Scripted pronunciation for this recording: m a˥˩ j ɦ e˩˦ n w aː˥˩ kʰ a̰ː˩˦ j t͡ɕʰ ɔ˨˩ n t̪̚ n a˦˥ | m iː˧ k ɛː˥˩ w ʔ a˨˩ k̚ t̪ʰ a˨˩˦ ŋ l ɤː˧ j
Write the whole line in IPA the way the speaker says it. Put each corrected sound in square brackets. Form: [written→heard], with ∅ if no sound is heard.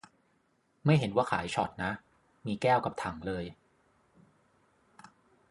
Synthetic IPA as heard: m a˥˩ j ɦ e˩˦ n w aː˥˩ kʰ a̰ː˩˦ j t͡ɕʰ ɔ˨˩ [n→∅] t̪̚ n a˦˥ | m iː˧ k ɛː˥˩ w [ʔ→k] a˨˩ [k̚→p̚] t̪ʰ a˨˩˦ ŋ l ɤː˧ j